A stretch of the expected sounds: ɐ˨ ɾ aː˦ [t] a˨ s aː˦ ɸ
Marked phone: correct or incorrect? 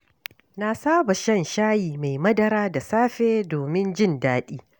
incorrect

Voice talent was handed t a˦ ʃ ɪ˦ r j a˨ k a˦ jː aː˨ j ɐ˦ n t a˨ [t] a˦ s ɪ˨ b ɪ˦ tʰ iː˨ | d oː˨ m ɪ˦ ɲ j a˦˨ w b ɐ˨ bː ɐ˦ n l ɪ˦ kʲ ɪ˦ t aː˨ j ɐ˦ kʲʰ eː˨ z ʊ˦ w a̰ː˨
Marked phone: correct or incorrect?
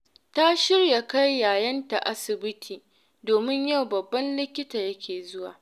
incorrect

